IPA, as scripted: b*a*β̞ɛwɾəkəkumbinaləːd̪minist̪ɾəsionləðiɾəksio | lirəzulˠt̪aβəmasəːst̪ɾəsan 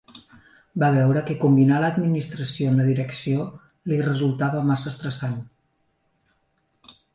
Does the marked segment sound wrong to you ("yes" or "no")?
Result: no